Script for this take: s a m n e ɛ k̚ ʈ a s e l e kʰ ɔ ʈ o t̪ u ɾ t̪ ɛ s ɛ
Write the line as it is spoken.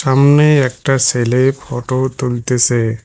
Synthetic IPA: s a m n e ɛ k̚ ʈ a s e l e pʰ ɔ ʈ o t̪ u l t̪ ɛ s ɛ